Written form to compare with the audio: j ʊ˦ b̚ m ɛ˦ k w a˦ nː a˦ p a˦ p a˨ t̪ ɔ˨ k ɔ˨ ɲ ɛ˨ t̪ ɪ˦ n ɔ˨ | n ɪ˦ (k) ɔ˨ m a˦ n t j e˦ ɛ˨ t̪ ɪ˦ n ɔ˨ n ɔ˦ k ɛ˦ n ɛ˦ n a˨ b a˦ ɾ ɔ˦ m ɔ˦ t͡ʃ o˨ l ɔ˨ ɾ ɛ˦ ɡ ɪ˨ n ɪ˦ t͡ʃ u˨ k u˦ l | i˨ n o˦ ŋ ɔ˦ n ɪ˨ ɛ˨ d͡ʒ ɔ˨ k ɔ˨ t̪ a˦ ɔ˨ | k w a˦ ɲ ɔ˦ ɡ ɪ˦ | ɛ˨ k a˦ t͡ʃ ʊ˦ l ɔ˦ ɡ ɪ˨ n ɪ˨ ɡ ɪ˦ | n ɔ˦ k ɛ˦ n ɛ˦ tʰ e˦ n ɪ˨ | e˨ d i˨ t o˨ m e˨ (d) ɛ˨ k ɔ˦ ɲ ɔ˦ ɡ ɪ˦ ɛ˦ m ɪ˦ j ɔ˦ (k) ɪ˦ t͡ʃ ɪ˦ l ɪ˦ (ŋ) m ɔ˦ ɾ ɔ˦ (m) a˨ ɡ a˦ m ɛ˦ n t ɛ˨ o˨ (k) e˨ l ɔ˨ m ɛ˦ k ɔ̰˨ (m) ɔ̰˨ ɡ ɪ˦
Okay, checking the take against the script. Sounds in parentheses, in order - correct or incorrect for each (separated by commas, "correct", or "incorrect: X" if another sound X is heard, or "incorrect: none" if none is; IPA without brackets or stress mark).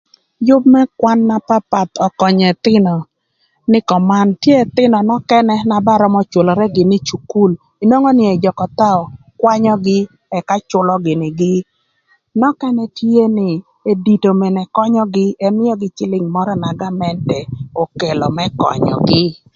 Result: correct, incorrect: n, incorrect: ɡ, correct, incorrect: n, correct, incorrect: ɲ